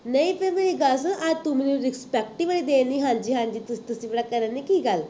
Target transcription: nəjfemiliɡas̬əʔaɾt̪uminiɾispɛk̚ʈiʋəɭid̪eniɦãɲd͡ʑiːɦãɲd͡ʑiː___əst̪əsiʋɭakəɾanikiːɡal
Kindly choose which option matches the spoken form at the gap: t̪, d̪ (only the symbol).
t̪